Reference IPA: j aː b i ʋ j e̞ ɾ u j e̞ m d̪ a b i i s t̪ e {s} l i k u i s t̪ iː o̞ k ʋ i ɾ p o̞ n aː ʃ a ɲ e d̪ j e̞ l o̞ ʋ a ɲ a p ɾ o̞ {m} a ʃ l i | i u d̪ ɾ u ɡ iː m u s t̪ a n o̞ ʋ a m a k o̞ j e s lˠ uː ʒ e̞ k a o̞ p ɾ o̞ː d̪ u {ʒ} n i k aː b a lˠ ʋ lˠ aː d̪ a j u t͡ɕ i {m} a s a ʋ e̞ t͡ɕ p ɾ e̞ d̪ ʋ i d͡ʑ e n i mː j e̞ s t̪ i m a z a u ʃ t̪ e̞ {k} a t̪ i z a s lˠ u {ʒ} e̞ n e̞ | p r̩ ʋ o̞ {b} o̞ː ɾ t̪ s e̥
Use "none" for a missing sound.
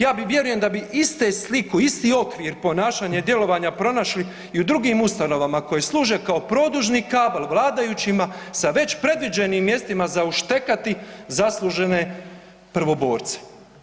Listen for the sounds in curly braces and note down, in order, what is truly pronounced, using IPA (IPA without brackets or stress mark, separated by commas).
s, n, ʒ, m, k, ʒ, b